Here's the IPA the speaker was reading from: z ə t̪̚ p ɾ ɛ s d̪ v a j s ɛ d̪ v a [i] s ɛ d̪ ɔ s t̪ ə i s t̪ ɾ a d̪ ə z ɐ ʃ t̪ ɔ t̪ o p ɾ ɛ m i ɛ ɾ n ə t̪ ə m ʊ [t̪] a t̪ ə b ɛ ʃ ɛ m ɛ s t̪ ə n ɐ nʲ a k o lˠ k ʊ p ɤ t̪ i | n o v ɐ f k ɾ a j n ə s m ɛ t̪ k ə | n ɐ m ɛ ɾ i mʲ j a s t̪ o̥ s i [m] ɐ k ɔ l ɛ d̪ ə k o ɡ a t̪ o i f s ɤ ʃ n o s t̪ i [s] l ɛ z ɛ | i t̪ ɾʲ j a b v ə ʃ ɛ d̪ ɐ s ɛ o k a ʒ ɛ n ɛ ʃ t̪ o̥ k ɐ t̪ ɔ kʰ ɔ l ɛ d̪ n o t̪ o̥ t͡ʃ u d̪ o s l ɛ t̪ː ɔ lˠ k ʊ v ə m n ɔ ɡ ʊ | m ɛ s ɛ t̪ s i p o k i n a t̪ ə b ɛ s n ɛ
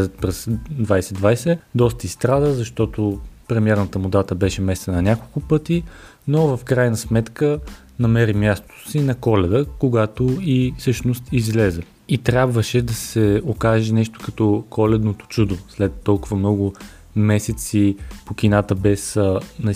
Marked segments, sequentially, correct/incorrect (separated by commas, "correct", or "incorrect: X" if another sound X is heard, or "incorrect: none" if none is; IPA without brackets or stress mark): incorrect: j, incorrect: d̪, incorrect: n, incorrect: z